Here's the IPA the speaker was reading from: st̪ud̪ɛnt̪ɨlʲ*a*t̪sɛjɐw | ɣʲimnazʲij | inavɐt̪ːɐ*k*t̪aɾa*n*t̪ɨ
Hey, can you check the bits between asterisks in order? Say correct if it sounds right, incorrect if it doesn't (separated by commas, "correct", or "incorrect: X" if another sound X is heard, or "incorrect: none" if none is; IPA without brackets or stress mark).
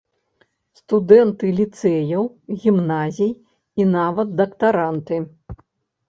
incorrect: i, correct, correct